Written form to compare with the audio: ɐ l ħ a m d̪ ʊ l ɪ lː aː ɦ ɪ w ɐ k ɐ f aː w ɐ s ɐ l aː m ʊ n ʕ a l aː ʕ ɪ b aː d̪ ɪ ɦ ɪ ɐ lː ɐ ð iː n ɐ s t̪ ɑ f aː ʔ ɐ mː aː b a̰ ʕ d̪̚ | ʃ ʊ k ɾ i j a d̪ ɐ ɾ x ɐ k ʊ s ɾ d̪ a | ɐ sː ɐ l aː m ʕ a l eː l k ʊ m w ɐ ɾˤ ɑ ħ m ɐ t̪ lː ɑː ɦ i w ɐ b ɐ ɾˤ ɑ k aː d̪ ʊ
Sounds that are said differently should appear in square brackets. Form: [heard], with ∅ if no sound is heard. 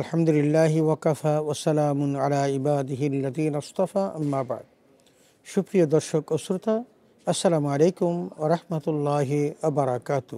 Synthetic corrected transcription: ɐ l ħ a m d̪ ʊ l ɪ lː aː ɦ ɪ w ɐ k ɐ f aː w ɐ s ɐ l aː m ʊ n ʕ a l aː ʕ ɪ b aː d̪ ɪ ɦ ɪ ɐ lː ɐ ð iː n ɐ s t̪ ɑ f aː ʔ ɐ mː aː b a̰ ʕ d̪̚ | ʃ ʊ k ɾ i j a d̪ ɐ ɾ [ʃ] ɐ k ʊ s ɾ [t̪] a | ɐ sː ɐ l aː m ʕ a l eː [∅] k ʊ m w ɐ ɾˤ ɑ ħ m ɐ t̪ lː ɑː ɦ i w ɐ b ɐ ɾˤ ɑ k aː [t̪] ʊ